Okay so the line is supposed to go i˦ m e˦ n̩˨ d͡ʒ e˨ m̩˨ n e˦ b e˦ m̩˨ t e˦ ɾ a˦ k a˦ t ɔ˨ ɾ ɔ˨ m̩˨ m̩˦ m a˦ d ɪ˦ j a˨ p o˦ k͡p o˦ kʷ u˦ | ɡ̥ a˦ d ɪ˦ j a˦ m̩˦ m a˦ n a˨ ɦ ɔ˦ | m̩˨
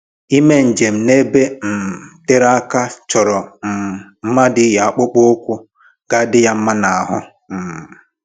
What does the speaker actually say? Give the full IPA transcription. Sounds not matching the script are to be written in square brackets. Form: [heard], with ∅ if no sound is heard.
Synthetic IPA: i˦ m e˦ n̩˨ d͡ʒ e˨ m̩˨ n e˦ b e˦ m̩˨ t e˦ ɾ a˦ k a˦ [t͡ʃ] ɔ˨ ɾ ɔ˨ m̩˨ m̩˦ m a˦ d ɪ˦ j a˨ [k͡p] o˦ k͡p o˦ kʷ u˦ | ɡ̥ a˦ d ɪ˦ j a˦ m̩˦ m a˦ n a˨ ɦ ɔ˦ | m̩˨

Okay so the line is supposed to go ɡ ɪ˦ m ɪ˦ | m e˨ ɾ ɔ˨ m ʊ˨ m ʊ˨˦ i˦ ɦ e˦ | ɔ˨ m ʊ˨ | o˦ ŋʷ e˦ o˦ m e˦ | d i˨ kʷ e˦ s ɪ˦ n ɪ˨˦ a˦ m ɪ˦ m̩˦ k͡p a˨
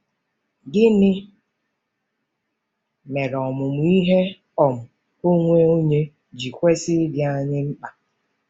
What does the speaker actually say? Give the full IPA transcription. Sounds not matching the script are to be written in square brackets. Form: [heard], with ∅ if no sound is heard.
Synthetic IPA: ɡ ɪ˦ [n] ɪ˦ | m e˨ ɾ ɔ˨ m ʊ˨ m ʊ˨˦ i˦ ɦ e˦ | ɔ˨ m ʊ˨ | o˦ ŋʷ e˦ o˦ [ɲ] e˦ | [d͡ʒ] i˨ kʷ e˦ s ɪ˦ [d] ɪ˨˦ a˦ [ɲ] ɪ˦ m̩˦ k͡p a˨

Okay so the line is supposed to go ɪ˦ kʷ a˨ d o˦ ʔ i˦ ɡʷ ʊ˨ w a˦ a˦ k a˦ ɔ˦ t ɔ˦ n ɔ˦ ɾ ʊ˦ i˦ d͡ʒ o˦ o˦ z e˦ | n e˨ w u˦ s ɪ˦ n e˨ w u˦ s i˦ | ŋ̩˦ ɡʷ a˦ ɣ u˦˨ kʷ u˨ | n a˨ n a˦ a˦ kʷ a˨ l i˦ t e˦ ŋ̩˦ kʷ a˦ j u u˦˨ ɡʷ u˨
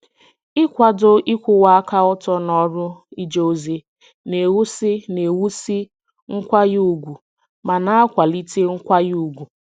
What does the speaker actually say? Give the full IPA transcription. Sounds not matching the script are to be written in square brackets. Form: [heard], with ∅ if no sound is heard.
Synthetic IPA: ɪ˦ kʷ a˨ d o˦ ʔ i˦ [kʷ] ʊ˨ w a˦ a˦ k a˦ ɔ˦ t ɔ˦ n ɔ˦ ɾ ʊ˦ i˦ d͡ʒ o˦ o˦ z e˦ | n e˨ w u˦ s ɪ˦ n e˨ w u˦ s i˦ | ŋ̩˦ [kʷ] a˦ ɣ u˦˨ [ɡʷ] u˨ | [m] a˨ n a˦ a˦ kʷ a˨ l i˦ t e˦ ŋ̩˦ kʷ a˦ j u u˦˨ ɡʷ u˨

